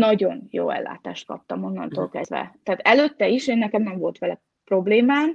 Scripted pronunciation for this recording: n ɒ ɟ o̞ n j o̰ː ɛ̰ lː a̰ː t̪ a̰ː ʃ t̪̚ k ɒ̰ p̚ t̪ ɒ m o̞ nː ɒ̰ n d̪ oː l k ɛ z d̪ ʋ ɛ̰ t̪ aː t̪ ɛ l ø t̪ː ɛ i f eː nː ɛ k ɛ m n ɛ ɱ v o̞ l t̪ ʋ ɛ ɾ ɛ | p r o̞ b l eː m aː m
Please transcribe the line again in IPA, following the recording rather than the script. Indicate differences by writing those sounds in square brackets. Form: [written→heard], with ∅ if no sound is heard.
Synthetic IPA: n ɒ ɟ o̞ n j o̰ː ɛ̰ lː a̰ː t̪ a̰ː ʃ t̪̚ k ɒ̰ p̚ t̪ ɒ m o̞ nː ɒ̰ n [d̪→t̪] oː l k ɛ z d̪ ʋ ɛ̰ t̪ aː t̪ ɛ l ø t̪ː ɛ i [f→ʃ] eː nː ɛ k ɛ m n ɛ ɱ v o̞ l t̪ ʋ ɛ [ɾ→l] ɛ | p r o̞ b l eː m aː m